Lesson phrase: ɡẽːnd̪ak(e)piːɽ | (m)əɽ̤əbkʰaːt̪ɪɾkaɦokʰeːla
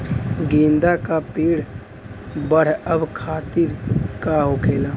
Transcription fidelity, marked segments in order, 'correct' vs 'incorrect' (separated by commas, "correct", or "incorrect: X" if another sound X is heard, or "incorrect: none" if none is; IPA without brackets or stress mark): incorrect: a, incorrect: b